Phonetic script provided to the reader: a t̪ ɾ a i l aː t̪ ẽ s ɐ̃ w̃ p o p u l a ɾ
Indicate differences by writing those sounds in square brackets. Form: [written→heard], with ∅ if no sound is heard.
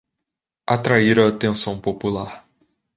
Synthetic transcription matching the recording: a t̪ ɾ a i [l→ɾ] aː t̪ ẽ s ɐ̃ w̃ p o p u l a ɾ